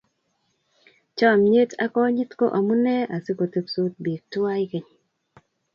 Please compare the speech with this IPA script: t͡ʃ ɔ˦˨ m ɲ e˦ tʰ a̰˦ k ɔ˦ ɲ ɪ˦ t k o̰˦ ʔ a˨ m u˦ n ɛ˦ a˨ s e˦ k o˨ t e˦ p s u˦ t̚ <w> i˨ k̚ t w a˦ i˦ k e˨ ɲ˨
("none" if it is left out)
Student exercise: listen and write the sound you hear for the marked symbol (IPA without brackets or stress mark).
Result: b